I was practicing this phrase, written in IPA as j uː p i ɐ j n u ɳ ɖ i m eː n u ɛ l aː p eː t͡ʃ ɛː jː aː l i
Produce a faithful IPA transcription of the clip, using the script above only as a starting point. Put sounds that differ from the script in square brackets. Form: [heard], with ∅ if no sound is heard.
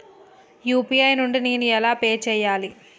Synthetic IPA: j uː p i ɐ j n u ɳ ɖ i [n] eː n u ɛ l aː p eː t͡ʃ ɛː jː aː l i